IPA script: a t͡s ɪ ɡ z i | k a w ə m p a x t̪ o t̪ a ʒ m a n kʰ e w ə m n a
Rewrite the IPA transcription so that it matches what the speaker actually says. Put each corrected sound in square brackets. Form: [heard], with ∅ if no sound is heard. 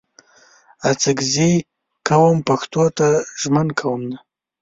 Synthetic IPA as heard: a t͡s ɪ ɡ z i | k a w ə m p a x t̪ o t̪ a ʒ m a n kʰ [a] w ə m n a